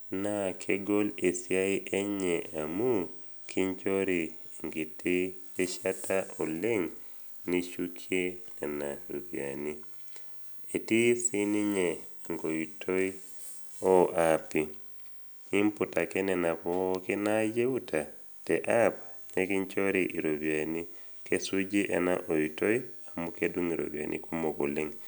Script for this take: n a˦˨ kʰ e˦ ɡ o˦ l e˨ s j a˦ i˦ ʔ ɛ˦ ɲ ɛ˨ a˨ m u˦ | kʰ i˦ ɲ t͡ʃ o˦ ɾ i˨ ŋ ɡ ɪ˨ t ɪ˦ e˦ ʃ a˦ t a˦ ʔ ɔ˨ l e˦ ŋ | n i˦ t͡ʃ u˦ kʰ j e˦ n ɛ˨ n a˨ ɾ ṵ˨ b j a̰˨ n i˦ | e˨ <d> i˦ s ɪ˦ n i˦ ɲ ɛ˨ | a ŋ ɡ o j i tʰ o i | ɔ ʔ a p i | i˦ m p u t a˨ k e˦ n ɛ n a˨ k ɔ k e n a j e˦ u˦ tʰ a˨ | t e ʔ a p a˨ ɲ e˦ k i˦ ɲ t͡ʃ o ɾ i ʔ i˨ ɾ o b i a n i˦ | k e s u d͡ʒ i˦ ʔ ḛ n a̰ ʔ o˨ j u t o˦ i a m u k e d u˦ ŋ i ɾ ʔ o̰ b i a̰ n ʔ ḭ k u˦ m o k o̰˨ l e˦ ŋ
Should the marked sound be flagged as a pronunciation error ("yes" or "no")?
yes